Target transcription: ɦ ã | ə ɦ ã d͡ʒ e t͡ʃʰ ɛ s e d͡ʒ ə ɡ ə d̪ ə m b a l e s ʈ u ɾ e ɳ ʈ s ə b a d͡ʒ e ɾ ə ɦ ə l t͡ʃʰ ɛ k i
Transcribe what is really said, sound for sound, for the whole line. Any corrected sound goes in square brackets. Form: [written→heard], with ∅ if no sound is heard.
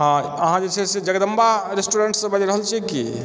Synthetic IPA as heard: ɦ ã | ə ɦ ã d͡ʒ e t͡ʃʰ ɛ s e d͡ʒ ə ɡ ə d̪ ə m b a [l→ɾ] e s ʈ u ɾ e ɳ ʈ s ə b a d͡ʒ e ɾ ə ɦ ə l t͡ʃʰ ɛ k i